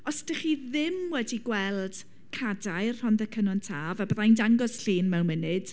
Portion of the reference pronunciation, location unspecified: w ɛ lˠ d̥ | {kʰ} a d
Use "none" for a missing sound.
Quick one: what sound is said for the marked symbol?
kʰ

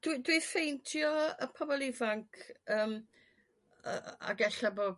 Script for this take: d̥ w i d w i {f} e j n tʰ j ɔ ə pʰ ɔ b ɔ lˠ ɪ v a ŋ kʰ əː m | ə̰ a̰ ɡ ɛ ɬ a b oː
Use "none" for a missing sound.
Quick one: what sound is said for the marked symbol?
f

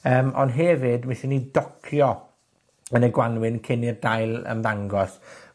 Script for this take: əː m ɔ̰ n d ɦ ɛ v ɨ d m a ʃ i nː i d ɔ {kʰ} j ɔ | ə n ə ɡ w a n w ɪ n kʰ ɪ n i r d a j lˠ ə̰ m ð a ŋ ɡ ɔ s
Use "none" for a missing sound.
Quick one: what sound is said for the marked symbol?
kʰ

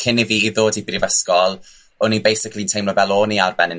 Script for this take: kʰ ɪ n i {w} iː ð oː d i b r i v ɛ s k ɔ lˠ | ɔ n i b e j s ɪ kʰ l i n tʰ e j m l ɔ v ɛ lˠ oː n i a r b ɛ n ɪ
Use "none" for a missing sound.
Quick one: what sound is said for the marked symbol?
v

